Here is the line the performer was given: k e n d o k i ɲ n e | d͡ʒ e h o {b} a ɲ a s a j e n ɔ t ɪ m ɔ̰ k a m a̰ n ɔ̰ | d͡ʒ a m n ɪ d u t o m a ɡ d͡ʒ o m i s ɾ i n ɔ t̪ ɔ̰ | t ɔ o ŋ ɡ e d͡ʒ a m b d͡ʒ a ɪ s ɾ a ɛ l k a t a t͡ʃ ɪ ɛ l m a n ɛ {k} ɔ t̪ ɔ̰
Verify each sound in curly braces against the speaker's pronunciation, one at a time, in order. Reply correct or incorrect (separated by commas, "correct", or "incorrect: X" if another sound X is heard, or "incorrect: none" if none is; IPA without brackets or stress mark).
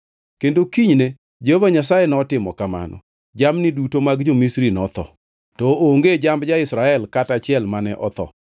incorrect: v, incorrect: ʔ